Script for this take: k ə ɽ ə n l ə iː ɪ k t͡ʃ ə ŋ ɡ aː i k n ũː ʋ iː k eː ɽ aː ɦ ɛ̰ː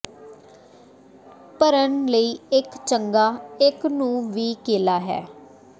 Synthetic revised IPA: p ə ɾ ə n l ə iː ɪ k t͡ʃ ə ŋ ɡ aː ɪ k n ũː ʋ iː k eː l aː ɦ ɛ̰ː